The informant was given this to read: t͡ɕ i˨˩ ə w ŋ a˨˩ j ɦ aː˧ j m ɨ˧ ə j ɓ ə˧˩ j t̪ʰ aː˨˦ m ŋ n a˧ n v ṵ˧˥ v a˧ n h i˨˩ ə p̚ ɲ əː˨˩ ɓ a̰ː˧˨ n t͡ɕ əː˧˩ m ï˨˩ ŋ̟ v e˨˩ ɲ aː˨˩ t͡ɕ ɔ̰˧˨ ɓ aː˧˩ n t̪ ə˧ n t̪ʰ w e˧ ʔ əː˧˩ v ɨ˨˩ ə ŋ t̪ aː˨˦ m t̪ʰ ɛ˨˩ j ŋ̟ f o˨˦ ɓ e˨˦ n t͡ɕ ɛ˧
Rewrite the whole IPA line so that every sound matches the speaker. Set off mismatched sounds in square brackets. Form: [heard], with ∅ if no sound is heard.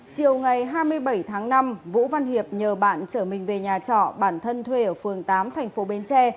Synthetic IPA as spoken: t͡ɕ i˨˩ ə w ŋ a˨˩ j ɦ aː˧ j m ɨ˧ ə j ɓ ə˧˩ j t̪ʰ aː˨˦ [∅] ŋ n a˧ [m] v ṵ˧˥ v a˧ n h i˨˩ ə p̚ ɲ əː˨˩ ɓ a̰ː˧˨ n t͡ɕ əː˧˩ m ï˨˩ ŋ̟ v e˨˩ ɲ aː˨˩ t͡ɕ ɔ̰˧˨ ɓ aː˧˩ n [t̪ʰ] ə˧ n t̪ʰ w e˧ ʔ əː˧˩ [f] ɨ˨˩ ə ŋ t̪ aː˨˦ m t̪ʰ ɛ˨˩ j ŋ̟ f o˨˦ ɓ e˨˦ n t͡ɕ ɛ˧